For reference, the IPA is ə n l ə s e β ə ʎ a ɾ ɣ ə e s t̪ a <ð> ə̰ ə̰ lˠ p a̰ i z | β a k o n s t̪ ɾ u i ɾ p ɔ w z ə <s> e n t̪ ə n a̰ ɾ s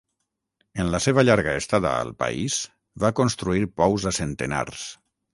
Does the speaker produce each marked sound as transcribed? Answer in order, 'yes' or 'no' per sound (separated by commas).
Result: yes, yes